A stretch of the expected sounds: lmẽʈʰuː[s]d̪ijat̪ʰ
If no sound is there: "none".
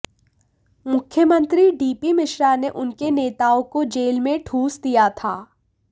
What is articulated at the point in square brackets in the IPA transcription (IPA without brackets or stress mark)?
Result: s